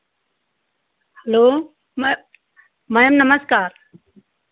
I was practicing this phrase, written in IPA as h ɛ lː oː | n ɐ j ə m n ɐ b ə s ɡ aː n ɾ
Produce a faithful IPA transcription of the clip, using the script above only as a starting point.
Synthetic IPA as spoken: h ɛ l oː | m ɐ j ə m n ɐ m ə s k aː ɾ